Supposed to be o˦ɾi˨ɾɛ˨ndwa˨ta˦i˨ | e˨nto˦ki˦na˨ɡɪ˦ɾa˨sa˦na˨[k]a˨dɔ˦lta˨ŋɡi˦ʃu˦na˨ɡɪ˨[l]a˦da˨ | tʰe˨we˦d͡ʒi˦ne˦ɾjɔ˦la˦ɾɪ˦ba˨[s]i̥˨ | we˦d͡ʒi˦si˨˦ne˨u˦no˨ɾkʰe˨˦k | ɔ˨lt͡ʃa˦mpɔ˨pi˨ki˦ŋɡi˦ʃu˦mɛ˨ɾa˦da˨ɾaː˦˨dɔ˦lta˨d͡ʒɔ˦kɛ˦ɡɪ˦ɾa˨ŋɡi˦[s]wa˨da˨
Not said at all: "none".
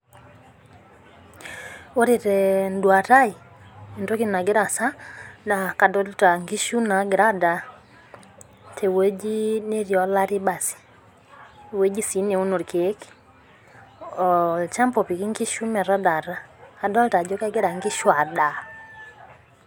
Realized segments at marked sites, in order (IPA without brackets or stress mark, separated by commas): k, ɾ, s, ʃ